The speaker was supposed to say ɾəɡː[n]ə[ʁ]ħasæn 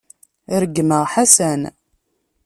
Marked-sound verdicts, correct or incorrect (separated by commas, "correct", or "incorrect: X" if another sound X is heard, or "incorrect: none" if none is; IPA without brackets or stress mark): incorrect: m, correct